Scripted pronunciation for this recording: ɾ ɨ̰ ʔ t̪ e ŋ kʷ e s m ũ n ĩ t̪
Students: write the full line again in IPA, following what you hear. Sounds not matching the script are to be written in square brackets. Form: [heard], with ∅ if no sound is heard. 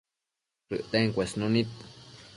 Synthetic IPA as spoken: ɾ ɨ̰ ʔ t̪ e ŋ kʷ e s [n] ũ n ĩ t̪

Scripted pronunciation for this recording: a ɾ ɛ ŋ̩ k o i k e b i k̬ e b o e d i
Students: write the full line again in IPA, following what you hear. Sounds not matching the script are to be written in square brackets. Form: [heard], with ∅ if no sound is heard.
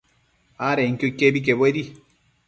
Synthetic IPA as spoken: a ɾ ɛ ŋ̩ k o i k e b i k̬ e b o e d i

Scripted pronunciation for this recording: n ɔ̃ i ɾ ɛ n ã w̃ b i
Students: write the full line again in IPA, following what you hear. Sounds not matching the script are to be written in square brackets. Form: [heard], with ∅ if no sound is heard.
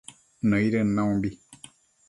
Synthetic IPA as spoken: n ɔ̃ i ɾ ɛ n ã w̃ b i

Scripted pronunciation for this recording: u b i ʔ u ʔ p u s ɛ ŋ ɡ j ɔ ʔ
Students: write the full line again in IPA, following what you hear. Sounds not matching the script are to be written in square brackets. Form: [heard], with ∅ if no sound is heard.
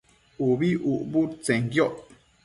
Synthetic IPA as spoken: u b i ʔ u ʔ [b] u [t͡s] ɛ ŋ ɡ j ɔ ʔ

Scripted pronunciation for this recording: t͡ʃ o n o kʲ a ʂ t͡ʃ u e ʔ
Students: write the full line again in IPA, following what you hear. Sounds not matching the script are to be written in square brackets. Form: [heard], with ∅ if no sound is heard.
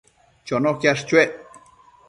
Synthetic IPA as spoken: t͡ʃ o n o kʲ a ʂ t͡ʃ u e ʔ

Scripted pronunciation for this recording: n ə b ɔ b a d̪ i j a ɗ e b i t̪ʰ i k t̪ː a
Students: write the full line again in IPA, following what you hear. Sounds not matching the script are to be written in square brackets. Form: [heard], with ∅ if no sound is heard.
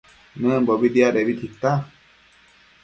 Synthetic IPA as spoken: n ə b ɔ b [i] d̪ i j a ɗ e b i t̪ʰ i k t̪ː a

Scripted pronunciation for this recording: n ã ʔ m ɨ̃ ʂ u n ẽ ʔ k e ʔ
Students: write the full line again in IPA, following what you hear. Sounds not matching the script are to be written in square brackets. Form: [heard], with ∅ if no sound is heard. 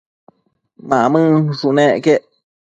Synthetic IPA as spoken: [m] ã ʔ m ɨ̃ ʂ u n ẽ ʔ k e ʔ

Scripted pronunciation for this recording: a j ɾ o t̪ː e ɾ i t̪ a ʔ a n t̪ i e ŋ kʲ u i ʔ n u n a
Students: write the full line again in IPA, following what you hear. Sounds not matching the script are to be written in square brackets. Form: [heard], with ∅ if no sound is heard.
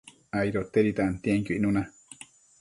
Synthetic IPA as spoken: a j ɾ o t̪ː e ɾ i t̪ a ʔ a n t̪ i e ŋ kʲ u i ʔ n u n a

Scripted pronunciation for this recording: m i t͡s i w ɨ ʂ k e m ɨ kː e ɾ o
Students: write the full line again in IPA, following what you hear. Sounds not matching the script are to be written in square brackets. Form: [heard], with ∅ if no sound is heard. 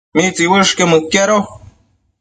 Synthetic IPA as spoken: m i t͡s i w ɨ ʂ k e m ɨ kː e ɾ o

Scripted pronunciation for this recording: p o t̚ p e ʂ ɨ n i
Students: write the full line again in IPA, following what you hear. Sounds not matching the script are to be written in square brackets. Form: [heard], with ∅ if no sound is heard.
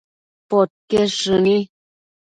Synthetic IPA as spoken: p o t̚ [k] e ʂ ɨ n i

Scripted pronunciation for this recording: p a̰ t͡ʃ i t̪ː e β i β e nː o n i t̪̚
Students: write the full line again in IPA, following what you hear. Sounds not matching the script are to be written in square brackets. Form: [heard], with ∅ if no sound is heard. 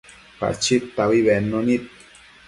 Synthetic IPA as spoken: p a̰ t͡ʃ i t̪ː [a] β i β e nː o n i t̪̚

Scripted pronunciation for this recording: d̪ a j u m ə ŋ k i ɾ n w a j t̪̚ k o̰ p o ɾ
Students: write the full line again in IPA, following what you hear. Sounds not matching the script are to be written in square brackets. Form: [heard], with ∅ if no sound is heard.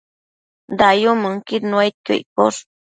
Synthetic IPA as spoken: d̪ a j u m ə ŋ k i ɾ n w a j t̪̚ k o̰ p o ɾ

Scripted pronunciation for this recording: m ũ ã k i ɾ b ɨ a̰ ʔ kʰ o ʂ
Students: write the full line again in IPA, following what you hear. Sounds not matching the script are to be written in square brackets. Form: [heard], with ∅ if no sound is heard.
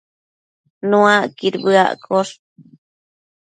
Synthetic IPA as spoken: [n] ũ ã k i ɾ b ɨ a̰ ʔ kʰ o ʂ

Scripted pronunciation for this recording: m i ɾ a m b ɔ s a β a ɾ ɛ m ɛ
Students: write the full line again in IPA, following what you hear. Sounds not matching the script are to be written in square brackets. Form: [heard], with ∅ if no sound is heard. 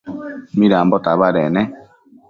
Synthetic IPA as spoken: m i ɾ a m b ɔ [t] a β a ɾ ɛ [n] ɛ

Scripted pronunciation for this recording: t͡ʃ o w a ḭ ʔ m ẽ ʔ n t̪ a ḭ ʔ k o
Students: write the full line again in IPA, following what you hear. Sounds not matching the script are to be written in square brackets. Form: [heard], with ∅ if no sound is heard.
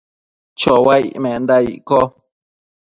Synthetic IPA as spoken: t͡ʃ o w a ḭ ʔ m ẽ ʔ n [d̪] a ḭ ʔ k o

